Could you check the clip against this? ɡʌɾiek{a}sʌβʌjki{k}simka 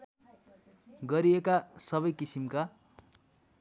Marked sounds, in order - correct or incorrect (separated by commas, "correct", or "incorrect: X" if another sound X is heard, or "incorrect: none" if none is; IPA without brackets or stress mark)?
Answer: correct, incorrect: none